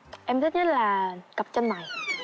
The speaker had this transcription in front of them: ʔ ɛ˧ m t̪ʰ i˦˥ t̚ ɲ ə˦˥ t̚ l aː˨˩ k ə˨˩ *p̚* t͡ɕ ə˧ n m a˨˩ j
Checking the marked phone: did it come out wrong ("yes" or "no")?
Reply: no